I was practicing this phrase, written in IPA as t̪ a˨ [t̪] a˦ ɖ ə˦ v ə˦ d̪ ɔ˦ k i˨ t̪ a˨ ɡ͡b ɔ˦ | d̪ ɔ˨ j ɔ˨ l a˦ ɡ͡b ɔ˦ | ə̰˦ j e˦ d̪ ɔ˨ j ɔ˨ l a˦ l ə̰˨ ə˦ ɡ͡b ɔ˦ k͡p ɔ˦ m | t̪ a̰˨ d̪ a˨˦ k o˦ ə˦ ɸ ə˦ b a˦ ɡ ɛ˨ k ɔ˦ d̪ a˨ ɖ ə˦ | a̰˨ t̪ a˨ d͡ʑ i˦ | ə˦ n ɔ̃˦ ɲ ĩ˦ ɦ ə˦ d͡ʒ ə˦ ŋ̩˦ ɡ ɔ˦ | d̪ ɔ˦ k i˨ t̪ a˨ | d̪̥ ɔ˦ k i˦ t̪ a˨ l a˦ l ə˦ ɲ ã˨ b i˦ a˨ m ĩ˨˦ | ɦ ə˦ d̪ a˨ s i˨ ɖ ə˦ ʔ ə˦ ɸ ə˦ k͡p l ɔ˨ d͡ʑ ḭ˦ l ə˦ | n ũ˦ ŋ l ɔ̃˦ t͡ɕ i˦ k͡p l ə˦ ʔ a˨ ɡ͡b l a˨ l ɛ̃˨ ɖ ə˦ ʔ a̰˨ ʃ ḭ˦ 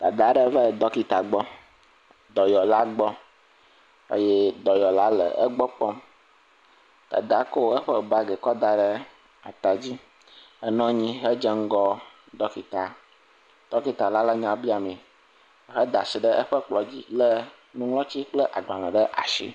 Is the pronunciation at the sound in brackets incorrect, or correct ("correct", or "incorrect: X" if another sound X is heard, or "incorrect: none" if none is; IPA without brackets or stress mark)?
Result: incorrect: d̪